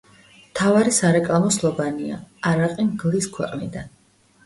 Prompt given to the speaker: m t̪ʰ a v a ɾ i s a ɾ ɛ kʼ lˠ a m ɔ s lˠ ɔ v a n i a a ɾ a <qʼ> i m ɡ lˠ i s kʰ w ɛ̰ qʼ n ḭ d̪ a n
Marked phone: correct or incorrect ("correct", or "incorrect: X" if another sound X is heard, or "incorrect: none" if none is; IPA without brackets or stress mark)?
correct